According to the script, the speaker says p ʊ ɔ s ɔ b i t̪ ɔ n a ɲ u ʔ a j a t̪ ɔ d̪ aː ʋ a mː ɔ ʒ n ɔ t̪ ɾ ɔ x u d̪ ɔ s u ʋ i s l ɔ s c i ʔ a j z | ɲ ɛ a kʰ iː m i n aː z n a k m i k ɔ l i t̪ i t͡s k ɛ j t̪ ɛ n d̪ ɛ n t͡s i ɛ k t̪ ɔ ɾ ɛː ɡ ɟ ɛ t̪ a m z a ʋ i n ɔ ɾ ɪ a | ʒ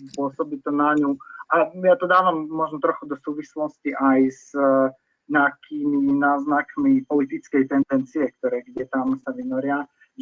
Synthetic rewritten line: p ʊ ɔ s ɔ b i t̪ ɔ n a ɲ u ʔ a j a t̪ ɔ d̪ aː ʋ a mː ɔ ʒ n ɔ t̪ ɾ ɔ x u d̪ ɔ s uː ʋ i s l ɔ s c i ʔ a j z | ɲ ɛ a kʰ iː m i n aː z n a k m i p ɔ l i t̪ i t͡s k ɛ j t̪ ɛ n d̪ ɛ n t͡s i ɛ k t̪ ɔ ɾ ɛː ɡ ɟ ɛ t̪ a m s a ʋ i n ɔ ɾ ɪ a | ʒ